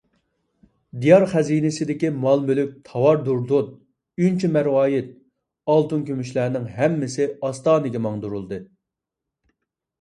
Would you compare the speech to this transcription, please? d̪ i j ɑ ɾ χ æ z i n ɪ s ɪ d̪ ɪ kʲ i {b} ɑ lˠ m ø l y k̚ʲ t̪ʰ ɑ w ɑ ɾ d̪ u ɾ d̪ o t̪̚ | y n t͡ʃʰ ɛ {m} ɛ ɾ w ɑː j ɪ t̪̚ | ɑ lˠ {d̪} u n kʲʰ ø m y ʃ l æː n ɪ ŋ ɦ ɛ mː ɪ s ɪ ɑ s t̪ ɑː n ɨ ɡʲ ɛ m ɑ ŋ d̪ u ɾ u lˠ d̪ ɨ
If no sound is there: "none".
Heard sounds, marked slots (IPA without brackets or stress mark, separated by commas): m, m, t̪